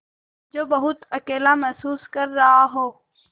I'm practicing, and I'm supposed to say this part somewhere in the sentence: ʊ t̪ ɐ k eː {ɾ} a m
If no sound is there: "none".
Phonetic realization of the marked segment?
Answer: l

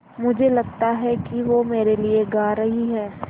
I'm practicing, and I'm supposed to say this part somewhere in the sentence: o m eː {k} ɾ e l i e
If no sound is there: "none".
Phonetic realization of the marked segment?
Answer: none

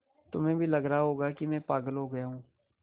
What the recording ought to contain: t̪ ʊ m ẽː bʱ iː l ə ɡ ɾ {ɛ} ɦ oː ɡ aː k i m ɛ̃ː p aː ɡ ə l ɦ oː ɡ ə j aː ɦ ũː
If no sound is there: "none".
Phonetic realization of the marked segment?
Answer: a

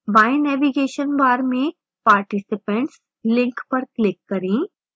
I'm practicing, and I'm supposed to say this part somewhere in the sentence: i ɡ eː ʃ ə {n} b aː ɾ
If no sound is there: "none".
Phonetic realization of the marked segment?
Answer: n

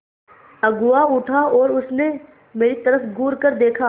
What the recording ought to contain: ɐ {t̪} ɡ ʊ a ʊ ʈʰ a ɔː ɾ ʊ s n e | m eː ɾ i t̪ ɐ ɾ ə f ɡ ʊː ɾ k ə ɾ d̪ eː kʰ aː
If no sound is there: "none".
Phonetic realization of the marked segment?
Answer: none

